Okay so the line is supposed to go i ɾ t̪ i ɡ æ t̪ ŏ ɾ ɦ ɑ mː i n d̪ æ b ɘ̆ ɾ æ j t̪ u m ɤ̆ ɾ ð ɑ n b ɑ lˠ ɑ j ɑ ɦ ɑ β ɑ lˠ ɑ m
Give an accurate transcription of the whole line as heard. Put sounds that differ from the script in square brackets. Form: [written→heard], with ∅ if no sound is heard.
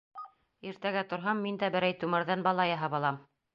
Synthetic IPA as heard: i ɾ t̪ [i→æ] ɡ æ t̪ ŏ ɾ ɦ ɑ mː i n d̪ æ b ɘ̆ ɾ æ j t̪ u m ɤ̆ ɾ ð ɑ n b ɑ lˠ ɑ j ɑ ɦ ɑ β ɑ lˠ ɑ m